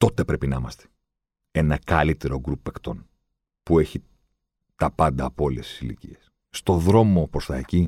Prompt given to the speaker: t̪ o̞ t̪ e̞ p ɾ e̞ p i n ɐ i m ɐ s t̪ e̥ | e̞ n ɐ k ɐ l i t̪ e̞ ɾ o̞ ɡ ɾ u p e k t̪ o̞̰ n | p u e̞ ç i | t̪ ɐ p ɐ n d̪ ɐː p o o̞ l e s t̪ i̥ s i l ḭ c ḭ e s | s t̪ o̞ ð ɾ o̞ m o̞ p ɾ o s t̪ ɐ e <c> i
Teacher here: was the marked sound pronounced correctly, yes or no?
yes